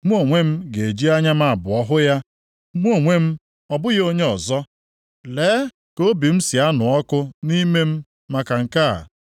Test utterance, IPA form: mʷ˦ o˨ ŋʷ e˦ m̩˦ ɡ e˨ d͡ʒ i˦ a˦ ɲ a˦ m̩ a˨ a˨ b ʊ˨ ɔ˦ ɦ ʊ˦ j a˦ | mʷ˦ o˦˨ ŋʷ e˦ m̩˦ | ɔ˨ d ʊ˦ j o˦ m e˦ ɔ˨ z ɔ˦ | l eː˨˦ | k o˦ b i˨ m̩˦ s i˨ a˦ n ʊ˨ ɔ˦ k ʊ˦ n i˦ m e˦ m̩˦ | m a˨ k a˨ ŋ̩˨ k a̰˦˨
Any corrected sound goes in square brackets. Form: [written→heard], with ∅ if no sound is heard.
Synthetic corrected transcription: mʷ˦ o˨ ŋʷ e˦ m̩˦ ɡ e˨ d͡ʒ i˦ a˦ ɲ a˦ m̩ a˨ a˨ b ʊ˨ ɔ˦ ɦ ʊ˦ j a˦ | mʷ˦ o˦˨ ŋʷ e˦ m̩˦ | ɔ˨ [d→b] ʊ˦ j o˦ [m→ɲ] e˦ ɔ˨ z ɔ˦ | l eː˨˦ | k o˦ b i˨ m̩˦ s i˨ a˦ n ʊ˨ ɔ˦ k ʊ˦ n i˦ m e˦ m̩˦ | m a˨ k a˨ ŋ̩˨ k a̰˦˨